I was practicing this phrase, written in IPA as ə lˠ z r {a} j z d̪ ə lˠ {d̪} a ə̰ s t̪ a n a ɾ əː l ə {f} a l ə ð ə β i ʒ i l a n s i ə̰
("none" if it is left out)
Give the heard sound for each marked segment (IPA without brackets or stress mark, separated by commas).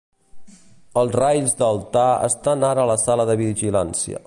a, t̪, s